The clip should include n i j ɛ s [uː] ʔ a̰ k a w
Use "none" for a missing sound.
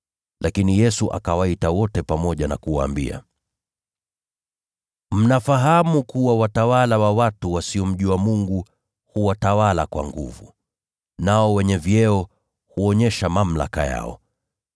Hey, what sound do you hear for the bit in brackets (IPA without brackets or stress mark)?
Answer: u